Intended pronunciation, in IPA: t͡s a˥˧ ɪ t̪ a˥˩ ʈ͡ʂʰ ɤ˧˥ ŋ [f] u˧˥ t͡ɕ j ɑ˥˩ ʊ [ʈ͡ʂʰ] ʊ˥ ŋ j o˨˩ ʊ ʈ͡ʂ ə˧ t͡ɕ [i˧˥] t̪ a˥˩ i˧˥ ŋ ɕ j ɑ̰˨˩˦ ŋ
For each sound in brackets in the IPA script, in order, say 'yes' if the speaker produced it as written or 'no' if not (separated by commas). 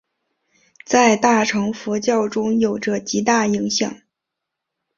yes, no, yes